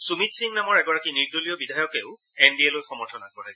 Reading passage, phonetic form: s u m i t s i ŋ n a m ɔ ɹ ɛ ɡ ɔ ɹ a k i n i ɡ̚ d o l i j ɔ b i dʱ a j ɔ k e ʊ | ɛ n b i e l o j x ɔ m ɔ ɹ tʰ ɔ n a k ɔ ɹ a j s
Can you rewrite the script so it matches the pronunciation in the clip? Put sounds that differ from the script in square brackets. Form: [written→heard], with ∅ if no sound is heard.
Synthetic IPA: s u m i t s i ŋ n a m ɔ ɹ ɛ ɡ ɔ ɹ a k i n i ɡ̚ d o l i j ɔ b i dʱ a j ɔ k e ʊ | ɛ n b i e l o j x ɔ m ɔ ɹ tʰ ɔ n a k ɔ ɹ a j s